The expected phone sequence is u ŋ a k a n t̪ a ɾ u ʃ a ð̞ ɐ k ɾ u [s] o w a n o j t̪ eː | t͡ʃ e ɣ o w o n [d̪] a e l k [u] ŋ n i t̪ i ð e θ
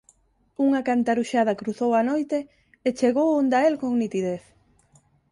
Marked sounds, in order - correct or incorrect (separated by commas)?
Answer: incorrect, correct, incorrect